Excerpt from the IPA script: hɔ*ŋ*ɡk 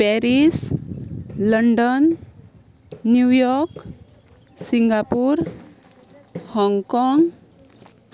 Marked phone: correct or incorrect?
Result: correct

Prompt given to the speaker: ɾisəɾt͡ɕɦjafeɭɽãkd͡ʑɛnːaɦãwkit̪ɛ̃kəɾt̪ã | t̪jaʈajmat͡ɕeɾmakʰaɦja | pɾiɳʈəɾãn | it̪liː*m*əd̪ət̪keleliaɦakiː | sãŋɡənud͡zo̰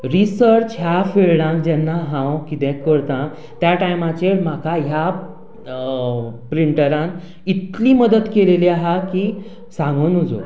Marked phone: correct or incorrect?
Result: correct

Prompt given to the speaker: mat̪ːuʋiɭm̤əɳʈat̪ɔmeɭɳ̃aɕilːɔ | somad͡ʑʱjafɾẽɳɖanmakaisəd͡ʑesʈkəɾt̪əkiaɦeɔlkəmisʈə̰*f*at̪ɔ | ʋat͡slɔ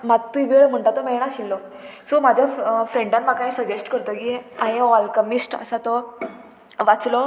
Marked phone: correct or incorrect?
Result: incorrect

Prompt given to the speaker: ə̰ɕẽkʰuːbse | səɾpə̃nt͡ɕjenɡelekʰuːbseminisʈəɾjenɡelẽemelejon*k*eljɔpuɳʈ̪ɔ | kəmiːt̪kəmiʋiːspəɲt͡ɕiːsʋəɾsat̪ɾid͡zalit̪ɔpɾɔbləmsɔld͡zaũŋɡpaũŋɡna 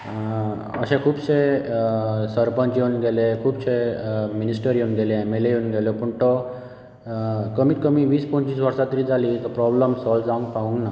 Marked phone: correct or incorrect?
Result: incorrect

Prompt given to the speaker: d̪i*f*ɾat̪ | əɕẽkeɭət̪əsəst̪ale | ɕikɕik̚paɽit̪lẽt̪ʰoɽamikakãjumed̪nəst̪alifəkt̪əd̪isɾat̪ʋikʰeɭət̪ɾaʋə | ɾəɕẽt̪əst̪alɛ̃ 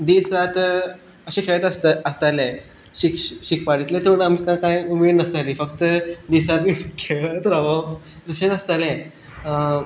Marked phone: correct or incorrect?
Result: incorrect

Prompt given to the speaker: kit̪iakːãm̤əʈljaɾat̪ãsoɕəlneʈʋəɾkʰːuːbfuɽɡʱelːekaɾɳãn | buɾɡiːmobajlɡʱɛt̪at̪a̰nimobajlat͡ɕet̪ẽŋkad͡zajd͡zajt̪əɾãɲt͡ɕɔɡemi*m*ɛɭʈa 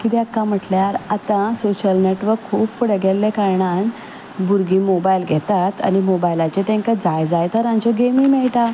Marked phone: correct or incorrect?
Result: correct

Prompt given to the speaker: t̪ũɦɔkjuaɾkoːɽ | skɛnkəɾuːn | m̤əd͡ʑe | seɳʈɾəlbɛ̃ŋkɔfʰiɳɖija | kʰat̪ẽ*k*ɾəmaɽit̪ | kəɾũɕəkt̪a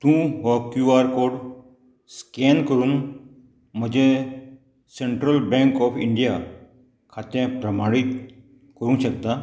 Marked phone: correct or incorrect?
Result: incorrect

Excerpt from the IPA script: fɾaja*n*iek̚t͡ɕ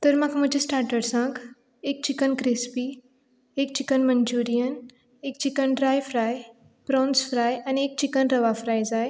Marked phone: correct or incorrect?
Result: correct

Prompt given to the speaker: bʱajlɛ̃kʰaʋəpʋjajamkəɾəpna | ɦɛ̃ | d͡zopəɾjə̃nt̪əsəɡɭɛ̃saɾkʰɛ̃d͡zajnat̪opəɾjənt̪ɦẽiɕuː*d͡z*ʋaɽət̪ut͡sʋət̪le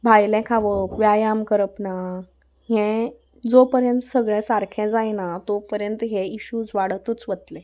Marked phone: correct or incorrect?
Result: correct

